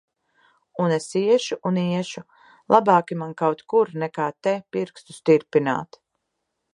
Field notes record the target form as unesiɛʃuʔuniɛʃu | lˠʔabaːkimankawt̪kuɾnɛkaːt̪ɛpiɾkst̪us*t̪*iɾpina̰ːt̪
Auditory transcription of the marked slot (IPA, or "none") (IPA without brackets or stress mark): t̪